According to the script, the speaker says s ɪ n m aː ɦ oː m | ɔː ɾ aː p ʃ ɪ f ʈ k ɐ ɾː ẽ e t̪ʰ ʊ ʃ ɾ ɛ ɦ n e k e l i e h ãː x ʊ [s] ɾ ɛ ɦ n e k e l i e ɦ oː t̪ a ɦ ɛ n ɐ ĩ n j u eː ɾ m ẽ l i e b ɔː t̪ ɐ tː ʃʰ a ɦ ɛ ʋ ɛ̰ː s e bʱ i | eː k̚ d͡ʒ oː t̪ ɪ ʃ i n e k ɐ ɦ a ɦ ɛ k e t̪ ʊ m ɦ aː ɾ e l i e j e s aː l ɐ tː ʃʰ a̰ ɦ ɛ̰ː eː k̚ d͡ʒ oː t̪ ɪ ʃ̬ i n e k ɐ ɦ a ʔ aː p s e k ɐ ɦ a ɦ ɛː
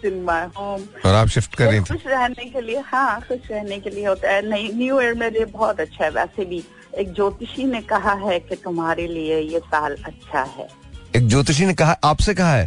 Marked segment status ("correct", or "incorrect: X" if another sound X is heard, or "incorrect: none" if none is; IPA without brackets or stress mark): incorrect: ʃ